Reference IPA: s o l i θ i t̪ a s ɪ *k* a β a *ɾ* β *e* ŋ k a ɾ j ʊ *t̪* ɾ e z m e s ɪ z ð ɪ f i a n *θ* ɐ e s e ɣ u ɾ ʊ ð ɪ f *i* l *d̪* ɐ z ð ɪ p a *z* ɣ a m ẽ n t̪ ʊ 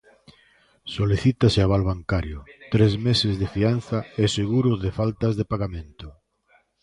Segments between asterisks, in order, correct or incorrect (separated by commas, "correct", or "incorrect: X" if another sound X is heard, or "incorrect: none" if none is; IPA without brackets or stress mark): incorrect: none, incorrect: l, incorrect: a, correct, correct, incorrect: a, incorrect: t̪, incorrect: none